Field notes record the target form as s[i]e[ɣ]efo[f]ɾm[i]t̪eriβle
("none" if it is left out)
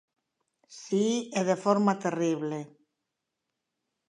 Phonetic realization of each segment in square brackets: i, ð, none, a

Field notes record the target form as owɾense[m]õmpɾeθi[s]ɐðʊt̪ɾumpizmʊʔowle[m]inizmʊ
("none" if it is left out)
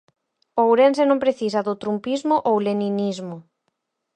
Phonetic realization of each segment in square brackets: n, s, n

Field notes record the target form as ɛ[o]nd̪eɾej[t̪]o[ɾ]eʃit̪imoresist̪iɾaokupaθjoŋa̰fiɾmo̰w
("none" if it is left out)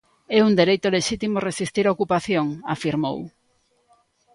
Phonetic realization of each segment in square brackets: u, t̪, l

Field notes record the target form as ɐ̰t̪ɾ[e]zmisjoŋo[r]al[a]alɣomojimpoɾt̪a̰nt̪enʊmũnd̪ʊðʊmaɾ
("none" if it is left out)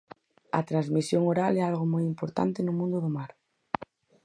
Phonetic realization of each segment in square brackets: a, ɾ, ɛ

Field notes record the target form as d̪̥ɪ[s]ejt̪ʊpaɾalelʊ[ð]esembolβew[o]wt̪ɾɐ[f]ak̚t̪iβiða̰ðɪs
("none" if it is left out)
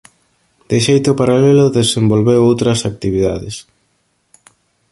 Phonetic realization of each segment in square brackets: ʃ, ð, o, s

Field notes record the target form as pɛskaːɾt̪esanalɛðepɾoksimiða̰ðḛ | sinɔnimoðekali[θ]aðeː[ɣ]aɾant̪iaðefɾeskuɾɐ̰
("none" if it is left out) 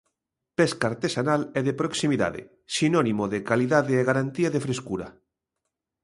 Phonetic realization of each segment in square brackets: ð, ɣ

